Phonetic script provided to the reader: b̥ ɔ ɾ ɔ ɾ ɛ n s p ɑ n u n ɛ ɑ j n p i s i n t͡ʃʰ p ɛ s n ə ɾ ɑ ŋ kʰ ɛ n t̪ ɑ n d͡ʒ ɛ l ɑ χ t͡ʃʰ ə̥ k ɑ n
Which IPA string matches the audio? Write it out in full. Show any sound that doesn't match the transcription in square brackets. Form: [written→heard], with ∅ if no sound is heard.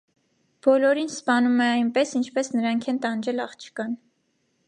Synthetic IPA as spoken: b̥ ɔ [ɾ→l] ɔ ɾ [ɛ→i] n s p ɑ n u [n→m] ɛ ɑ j n p [i→ɛ] s i n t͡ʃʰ p ɛ s n ə ɾ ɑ ŋ kʰ ɛ n t̪ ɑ n d͡ʒ ɛ l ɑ χ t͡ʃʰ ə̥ k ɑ n